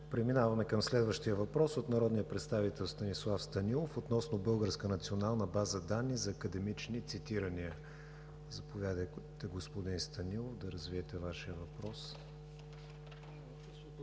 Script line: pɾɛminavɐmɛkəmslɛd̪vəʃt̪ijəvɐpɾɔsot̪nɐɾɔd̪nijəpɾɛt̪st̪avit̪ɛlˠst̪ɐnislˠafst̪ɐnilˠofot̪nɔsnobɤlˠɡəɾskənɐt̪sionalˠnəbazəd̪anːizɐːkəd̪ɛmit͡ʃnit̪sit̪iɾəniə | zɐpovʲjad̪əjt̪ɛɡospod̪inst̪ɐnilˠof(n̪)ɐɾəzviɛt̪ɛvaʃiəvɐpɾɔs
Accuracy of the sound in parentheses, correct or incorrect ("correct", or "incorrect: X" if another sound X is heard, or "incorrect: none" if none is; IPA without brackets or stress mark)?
incorrect: d̪